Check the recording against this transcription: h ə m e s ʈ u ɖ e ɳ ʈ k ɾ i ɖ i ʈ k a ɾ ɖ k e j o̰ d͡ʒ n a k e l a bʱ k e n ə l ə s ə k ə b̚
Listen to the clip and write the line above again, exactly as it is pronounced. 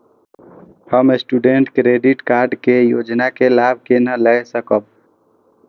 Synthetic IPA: h ə m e s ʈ u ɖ e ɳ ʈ k ɾ e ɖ i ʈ k a ɾ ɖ k e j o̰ d͡ʒ n a k e l a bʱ k e n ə l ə s ə k ə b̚